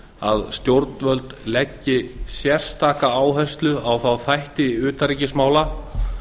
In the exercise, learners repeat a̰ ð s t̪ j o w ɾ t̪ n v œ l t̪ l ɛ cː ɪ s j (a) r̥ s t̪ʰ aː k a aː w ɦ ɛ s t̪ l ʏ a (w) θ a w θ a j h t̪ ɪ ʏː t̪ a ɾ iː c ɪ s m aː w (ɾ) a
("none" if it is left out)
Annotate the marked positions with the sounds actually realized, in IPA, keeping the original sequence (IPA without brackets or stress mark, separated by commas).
ɛ, w, l